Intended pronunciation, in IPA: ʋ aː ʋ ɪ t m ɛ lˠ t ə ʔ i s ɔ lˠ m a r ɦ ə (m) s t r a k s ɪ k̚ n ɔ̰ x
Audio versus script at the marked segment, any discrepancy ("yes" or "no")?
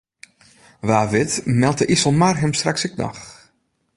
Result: no